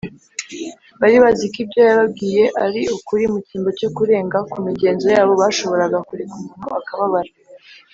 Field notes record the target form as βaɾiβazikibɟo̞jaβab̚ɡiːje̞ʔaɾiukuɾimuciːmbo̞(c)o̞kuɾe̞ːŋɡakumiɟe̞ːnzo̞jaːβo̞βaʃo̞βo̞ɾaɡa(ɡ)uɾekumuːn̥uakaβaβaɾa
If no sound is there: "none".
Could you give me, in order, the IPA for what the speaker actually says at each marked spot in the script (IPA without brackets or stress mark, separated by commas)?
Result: c, k